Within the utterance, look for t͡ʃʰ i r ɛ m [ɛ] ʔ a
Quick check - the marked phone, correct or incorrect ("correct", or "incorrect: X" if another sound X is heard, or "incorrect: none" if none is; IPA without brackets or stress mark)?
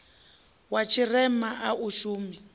incorrect: a